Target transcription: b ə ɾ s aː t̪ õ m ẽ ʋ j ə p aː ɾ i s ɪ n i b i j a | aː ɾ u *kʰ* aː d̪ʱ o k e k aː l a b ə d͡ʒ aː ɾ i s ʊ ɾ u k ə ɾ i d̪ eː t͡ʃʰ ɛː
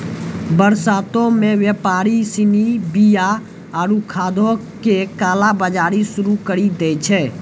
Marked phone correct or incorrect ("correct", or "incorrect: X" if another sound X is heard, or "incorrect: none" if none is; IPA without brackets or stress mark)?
correct